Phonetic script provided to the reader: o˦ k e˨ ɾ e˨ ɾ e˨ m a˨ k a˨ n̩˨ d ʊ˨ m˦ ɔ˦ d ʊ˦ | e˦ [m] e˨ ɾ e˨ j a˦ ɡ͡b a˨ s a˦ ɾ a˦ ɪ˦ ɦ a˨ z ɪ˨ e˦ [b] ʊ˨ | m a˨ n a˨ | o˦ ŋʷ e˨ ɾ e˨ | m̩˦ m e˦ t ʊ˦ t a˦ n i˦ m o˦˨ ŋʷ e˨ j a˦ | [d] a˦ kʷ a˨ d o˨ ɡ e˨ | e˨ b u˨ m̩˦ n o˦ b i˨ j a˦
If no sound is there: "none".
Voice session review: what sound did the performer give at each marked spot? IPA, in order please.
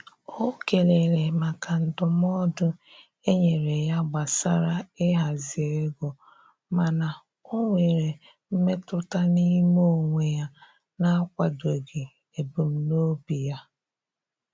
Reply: ɲ, ɡ, n

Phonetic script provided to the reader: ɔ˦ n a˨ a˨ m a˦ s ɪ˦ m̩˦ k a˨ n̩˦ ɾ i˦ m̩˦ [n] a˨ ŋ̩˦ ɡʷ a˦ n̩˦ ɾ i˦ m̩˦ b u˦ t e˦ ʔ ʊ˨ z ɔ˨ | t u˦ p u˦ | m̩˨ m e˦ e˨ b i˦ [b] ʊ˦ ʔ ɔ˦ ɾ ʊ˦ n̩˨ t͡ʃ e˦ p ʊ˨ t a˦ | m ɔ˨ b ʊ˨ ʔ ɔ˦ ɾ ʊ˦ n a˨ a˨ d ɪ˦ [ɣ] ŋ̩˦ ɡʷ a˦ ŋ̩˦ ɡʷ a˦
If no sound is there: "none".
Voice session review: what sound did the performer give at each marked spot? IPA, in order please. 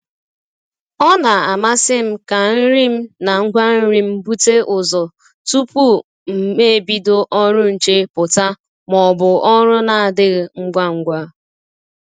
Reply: n, d, ɣ

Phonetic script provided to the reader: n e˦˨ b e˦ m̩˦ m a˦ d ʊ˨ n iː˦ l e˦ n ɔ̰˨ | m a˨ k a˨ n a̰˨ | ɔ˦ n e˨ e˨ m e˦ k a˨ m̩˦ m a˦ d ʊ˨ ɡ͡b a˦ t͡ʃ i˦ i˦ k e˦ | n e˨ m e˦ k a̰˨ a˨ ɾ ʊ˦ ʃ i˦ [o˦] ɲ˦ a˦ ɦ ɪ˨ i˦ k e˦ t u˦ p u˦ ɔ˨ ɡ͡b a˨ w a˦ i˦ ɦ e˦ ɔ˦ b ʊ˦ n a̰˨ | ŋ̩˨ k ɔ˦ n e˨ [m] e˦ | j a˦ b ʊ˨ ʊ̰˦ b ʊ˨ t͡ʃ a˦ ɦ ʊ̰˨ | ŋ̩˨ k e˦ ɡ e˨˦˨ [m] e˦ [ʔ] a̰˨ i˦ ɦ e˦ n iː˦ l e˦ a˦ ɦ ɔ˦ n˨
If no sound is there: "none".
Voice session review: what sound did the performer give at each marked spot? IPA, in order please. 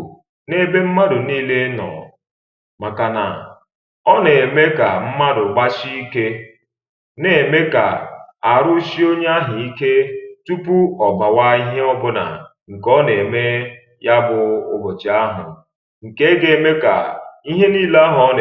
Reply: o˦, m, m, k

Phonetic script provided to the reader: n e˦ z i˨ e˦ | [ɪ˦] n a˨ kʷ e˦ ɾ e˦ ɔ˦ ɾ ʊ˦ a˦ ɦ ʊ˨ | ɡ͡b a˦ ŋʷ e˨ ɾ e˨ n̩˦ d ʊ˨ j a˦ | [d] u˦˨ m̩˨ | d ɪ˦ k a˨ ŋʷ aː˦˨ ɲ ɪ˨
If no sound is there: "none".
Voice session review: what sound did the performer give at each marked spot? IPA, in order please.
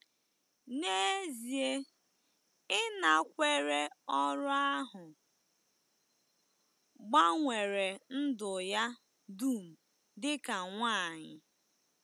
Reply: ɪ˦, d

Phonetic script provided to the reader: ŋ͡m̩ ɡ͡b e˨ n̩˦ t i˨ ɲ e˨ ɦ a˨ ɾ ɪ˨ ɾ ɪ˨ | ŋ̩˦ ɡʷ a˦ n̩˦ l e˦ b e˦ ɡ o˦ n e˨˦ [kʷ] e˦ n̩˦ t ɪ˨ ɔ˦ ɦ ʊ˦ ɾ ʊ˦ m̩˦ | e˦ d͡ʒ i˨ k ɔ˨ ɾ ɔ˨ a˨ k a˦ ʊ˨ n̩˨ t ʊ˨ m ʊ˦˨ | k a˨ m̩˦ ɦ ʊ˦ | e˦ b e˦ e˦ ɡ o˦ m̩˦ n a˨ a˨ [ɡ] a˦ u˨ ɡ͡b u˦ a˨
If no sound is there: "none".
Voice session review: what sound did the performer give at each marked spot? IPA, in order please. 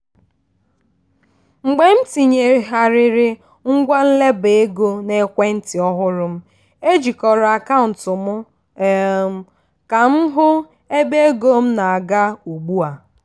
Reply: kʷ, ɡ

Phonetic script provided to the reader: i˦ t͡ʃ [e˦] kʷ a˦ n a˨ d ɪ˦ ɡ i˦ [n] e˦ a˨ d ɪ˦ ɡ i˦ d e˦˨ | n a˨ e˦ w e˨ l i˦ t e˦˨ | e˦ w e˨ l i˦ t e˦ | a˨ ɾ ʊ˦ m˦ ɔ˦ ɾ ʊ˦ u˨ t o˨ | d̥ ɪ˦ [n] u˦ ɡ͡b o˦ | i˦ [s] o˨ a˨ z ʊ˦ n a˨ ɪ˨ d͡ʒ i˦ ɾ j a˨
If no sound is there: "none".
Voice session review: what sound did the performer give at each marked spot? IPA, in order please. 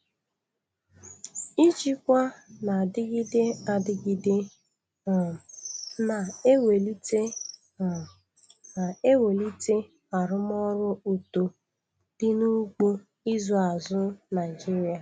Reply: i˦, d, n, z

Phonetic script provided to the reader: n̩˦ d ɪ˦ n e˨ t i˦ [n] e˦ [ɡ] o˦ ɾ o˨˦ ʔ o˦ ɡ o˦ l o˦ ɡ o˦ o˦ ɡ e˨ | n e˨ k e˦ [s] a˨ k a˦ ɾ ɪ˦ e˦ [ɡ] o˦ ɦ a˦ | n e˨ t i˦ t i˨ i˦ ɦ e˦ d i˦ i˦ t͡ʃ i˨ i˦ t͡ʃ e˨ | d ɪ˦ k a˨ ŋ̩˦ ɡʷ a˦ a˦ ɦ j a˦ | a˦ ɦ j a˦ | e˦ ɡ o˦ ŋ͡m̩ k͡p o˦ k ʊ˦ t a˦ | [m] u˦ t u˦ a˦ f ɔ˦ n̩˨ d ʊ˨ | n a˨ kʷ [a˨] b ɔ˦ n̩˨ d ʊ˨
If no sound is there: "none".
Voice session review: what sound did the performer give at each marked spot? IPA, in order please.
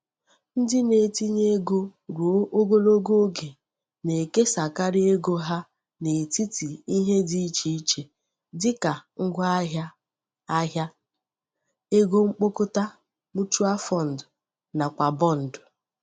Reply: ɲ, ɡ, s, ɡ, m, a˨

